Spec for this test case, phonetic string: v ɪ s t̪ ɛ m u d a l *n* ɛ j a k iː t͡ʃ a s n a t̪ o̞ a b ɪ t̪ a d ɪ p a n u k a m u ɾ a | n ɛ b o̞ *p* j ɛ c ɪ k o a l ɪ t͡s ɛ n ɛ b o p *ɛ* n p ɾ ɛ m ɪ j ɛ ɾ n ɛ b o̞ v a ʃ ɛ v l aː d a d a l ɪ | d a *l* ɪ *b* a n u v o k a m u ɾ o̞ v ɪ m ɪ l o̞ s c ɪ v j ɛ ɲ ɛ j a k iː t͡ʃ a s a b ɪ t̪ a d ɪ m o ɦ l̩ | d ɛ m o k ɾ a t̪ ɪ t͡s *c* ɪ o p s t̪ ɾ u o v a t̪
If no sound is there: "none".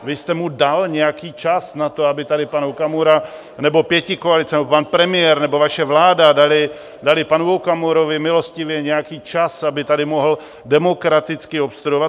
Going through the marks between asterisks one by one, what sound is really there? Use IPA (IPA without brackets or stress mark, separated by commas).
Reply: ɲ, p, a, l, p, k